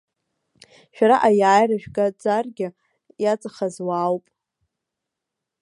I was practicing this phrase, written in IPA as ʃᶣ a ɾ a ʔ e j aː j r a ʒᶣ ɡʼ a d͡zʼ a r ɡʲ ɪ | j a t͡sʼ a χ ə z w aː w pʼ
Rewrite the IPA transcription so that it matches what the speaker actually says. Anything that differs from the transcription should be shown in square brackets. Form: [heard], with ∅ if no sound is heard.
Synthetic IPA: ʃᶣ a ɾ a ʔ [a] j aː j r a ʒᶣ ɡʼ a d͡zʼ a r ɡʲ ɪ | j a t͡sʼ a χ [a] z w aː w pʼ

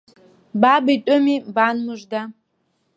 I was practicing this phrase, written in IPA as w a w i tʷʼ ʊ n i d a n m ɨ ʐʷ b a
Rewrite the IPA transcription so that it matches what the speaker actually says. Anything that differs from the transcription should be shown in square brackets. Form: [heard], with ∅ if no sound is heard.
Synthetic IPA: [b] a [b] i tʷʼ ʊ [m] i [b] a n m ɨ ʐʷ [d] a

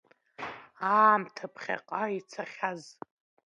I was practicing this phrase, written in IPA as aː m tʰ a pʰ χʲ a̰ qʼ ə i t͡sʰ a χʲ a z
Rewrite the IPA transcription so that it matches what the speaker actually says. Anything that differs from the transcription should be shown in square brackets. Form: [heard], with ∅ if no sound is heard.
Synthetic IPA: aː m tʰ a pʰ χʲ a̰ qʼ [a] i t͡sʰ a χʲ a z

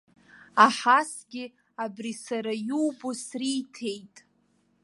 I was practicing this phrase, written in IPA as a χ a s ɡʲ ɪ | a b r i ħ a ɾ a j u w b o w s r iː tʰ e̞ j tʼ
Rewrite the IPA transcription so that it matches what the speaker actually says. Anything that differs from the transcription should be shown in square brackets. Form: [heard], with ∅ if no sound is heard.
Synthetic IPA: a [ħ] a s ɡʲ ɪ | a b r i [s] a ɾ a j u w b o [∅] s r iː tʰ e̞ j tʼ

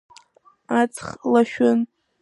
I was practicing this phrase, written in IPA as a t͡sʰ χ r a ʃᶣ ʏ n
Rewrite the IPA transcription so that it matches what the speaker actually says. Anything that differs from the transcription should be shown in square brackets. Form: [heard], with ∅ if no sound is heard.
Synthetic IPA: a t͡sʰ χ [l] a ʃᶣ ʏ n

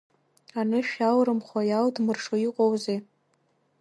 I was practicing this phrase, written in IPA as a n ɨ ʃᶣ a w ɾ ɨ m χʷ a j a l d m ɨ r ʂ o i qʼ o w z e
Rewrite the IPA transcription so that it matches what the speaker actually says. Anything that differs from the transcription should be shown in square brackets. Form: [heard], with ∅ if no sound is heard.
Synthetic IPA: a n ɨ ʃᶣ a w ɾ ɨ m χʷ a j a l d m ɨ r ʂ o i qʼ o w z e

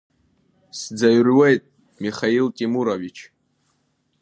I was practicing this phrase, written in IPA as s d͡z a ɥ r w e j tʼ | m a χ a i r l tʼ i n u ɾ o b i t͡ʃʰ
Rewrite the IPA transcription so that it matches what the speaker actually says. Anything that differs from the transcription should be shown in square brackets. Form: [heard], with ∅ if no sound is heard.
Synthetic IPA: s d͡z a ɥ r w e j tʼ | m [i] χ a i [∅] l tʼ i [m] u ɾ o [v] i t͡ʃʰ

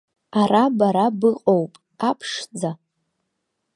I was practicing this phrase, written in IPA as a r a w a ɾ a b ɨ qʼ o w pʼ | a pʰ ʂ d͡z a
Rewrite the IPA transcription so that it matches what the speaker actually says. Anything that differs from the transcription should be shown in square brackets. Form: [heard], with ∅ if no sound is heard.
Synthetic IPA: a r a [b] a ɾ a b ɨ qʼ o w pʼ | a pʰ ʂ d͡z a

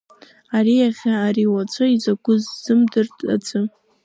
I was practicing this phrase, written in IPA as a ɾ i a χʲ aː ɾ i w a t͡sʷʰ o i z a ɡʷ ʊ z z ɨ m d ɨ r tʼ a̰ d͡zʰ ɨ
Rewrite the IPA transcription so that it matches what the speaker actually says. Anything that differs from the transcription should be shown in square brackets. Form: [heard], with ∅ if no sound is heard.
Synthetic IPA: a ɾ i a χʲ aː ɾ i w a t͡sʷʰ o i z a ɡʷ ʊ z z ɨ m d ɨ r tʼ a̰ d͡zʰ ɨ

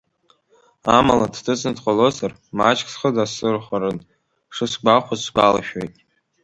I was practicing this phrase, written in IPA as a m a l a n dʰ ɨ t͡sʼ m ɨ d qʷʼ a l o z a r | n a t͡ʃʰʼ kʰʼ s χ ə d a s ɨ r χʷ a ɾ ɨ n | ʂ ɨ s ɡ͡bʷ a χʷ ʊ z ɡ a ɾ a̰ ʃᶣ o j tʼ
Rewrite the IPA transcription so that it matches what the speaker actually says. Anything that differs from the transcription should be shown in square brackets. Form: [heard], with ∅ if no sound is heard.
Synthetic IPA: a m a l a [d] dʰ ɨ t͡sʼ [n] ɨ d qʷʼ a l o z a r | [m] a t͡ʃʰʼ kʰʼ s χ ə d a s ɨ r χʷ a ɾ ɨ n | ʂ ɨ s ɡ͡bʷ a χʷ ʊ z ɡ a [l] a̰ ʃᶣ o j tʼ

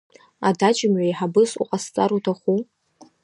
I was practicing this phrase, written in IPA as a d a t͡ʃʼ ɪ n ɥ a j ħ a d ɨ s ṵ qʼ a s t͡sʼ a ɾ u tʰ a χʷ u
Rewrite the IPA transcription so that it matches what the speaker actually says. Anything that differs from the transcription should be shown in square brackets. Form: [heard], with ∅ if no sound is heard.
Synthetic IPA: a d a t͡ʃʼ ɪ [m] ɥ a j ħ a [b] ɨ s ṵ qʼ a s t͡sʼ a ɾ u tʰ a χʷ u

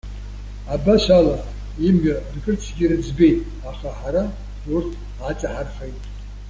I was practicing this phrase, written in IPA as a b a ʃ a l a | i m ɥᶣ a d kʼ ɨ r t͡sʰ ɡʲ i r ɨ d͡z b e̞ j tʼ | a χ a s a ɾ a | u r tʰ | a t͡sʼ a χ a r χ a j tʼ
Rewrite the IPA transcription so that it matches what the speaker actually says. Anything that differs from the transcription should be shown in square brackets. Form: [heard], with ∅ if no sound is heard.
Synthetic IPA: a b a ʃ a l a | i m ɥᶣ a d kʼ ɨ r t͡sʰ ɡʲ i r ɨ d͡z b e̞ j tʼ | a χ a [ħ] a ɾ a | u r tʰ | a t͡sʼ a [ħ] a r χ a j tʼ

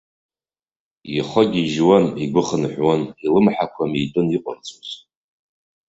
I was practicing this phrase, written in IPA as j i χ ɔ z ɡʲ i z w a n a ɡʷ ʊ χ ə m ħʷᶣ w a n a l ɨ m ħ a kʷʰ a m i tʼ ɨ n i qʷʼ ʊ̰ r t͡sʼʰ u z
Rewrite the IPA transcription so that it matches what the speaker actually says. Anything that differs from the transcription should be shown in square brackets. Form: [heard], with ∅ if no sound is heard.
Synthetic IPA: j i χ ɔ [∅] ɡʲ i [ʒ] w a n [i] ɡʷ ʊ χ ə [n] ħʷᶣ w a n [i] l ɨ m ħ a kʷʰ a m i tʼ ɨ n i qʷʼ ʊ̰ r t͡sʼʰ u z

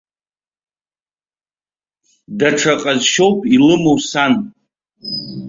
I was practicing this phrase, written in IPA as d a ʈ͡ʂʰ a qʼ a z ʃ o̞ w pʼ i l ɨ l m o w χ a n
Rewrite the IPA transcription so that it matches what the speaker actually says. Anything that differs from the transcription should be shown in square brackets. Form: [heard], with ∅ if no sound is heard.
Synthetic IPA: d a ʈ͡ʂʰ a qʼ a z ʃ o̞ w pʼ i l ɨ [∅] m o w [s] a n

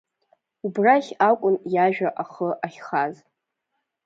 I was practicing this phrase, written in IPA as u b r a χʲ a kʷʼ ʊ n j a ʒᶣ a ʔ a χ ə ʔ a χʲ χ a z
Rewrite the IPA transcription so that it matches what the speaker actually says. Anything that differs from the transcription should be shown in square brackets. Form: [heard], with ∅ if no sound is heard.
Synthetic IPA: u b r a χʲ a kʷʼ ʊ n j a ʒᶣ a ʔ a χ ə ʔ a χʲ χ a z

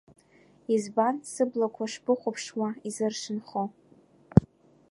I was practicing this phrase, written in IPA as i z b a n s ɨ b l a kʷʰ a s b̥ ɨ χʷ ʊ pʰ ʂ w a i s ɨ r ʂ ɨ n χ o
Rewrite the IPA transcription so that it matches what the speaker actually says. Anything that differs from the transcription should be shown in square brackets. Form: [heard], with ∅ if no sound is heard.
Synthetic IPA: i z b a n s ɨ b l a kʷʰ a [ʂ] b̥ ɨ χʷ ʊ pʰ ʂ w a i [z] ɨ r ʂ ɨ n χ o

